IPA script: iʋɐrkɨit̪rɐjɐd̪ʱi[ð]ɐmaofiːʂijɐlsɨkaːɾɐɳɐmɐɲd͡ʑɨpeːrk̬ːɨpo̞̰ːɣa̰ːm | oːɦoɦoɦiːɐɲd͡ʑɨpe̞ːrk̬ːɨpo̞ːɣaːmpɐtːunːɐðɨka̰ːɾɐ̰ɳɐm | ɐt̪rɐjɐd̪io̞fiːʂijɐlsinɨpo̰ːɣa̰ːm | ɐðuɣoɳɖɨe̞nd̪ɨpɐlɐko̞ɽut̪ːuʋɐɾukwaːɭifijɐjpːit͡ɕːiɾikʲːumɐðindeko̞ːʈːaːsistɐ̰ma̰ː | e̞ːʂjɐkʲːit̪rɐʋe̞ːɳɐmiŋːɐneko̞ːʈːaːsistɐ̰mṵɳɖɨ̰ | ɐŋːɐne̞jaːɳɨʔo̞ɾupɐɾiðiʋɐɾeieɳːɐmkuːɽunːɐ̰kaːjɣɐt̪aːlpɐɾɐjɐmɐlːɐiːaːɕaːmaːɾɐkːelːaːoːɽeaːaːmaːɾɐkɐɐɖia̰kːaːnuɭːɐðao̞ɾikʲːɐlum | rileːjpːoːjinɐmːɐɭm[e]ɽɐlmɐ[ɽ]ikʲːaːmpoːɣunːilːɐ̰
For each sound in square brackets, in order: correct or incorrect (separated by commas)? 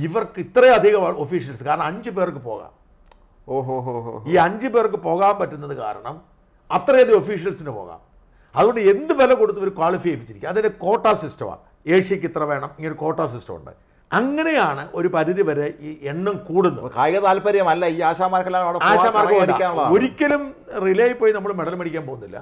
incorrect, correct, correct